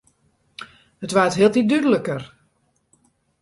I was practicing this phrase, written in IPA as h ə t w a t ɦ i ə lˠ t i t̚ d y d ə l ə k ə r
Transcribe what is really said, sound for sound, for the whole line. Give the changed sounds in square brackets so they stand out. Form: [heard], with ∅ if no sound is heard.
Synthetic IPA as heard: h ə t [ʋ] a t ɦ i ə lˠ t i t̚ d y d ə l ə k ə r

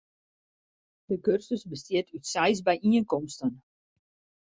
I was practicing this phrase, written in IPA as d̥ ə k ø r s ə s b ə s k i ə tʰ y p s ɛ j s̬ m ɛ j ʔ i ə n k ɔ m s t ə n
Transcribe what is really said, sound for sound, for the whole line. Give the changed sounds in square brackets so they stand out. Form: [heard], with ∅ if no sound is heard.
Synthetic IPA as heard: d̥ ə k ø r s ə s b ə s [t] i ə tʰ y [t] s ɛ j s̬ [b] ɛ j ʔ i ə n k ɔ m s t ə n

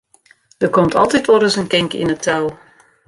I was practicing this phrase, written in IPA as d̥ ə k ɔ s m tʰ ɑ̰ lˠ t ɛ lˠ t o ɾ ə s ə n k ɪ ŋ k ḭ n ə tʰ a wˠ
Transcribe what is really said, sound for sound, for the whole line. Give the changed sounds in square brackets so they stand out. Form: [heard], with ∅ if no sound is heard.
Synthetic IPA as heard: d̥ ə k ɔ [∅] m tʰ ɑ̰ lˠ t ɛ [∅] t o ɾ ə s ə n k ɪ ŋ k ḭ n ə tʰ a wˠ

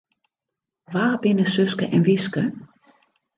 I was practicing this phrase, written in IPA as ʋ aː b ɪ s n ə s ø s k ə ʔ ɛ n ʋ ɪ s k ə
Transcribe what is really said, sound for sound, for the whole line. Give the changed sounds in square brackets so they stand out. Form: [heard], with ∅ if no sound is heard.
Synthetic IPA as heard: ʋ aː b ɪ [∅] n ə s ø s k ə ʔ ɛ n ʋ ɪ s k ə

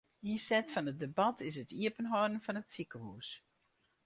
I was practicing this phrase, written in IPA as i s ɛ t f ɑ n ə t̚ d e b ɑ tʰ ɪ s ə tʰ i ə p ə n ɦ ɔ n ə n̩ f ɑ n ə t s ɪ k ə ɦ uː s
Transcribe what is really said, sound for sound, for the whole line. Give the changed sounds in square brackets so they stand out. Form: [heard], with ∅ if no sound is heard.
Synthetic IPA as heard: i s ɛ t f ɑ n ə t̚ d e b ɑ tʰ ɪ s ə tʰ i ə p ə n ɦ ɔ [d] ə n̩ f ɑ n ə t s [i] k ə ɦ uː s

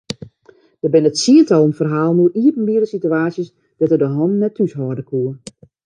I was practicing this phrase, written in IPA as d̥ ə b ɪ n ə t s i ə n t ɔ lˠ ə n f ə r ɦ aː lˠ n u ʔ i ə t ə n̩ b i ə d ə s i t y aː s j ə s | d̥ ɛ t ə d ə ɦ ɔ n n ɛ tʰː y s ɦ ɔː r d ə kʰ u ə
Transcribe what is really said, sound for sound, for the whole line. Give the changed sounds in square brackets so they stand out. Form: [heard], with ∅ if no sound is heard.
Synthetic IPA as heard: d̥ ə b ɪ n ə t s i ə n t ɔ lˠ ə n f ə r ɦ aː lˠ n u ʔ i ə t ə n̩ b i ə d ə s i t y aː s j ə s | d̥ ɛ t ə d ə ɦ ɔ n n ɛ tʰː y s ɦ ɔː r d ə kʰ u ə

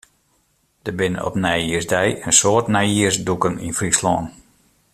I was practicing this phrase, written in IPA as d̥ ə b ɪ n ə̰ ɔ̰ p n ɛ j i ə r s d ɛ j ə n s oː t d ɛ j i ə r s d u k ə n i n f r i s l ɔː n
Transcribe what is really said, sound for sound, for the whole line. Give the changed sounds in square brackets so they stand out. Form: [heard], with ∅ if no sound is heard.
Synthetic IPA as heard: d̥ ə b ɪ n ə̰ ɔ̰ p n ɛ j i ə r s d ɛ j ə n s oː t [n] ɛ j i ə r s d u k ə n i n f r i s l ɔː n

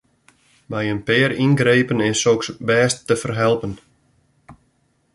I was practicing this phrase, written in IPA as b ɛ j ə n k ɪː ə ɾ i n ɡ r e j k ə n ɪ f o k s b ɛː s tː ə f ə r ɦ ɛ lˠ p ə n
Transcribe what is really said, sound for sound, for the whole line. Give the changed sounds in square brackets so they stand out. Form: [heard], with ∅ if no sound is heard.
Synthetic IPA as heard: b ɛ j ə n [p] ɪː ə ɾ i n ɡ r e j [p] ə n ɪ [s] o k s b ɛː s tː ə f ə r ɦ ɛ lˠ p ə n

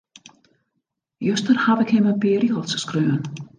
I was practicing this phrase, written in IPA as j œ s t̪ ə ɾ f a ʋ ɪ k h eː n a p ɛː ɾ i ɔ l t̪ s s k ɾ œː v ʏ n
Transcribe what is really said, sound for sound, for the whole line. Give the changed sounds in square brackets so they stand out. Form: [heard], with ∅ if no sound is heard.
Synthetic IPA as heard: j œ s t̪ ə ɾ [h] a [v] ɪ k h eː [m] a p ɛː ɾ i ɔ l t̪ s s k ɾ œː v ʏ n

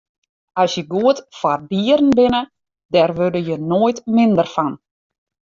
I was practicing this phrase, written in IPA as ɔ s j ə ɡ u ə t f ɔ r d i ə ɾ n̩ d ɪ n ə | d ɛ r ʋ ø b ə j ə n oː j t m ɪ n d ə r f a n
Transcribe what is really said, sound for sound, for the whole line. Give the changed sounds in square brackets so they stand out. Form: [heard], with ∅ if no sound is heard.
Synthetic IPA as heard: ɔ s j ə ɡ u ə t f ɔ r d i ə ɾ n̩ [b] ɪ n ə | d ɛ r ʋ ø [d] ə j ə n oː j t m ɪ n d ə r f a n

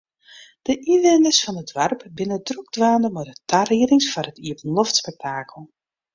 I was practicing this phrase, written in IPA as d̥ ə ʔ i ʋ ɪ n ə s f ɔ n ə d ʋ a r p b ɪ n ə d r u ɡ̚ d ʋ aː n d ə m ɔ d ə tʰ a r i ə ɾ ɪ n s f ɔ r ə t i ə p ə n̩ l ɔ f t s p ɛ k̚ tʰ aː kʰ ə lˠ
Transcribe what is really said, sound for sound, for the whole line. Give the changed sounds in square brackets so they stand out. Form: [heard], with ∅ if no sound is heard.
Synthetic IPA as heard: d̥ ə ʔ i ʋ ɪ n ə s f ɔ n ə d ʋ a r p b ɪ n ə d r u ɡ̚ d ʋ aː n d ə m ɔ d ə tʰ a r i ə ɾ ɪ [ŋ] s f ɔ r ə t i ə p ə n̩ l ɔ f t s p ɛ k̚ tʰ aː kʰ ə lˠ

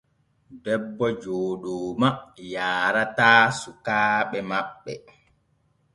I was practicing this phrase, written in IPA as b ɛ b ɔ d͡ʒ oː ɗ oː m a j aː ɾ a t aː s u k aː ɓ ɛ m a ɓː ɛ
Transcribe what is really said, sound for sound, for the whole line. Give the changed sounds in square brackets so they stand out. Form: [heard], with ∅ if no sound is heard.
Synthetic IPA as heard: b ɛ [bː] ɔ d͡ʒ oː ɗ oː m a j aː ɾ a t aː s u k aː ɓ ɛ m a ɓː ɛ

